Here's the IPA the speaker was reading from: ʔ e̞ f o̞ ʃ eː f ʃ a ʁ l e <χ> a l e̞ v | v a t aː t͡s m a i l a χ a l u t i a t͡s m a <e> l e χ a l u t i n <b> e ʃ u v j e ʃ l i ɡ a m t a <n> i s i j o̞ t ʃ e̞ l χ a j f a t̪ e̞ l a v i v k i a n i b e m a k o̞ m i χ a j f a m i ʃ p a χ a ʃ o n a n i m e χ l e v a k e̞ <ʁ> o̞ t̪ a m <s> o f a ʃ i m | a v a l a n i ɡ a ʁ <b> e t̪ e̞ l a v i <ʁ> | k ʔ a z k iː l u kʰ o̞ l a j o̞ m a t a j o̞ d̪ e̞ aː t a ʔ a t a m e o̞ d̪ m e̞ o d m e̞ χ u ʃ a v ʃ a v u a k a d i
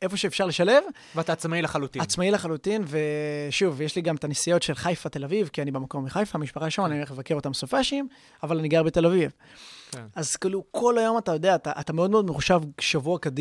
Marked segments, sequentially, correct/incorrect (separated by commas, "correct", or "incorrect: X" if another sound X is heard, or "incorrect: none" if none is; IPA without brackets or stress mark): incorrect: ʃ, incorrect: i, incorrect: v, correct, correct, correct, correct, incorrect: v